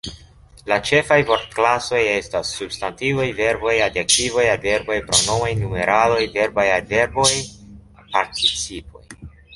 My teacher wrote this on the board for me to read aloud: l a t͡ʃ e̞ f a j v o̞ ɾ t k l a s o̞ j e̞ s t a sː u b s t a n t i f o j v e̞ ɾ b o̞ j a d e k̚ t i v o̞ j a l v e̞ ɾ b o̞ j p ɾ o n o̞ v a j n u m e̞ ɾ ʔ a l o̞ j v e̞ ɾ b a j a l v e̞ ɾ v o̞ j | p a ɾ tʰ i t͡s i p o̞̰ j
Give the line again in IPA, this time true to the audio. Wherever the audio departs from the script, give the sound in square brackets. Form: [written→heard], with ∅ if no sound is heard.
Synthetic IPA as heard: l a t͡ʃ e̞ f a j v o̞ ɾ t k l a s o̞ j e̞ s t a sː u b s t a n t i [f→v] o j v e̞ ɾ b o̞ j a d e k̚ t i v o̞ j a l v e̞ ɾ b o̞ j p ɾ o n o̞ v a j n u m e̞ ɾ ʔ a l o̞ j v e̞ ɾ b a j a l v e̞ ɾ [v→b] o̞ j | p a ɾ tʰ i t͡s i p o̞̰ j